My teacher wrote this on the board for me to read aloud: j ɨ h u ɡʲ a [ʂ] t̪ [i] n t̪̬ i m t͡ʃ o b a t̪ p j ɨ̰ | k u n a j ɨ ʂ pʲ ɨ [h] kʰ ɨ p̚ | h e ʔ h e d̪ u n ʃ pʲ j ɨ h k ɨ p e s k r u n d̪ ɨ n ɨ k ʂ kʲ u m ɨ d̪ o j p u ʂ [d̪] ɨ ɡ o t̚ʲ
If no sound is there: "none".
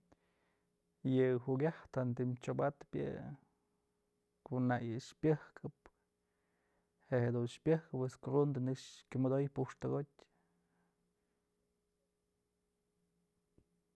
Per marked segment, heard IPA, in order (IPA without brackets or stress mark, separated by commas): h, a, h, t̪